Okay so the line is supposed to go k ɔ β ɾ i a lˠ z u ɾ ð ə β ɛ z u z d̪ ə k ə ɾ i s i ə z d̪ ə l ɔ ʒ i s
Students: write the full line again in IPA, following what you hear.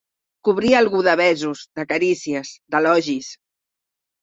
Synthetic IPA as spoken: k u β ɾ i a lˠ ɣ u ð ə β ɛ z u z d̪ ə k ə ɾ i s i ə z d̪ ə l ɔ ʒ i s